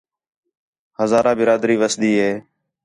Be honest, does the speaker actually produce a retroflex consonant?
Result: no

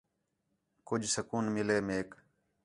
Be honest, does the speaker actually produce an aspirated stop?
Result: no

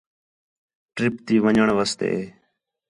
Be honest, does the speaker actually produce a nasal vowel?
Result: no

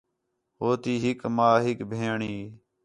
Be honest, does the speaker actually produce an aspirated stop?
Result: no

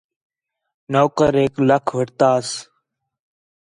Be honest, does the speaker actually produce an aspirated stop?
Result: yes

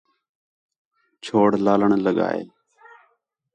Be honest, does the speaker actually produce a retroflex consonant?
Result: yes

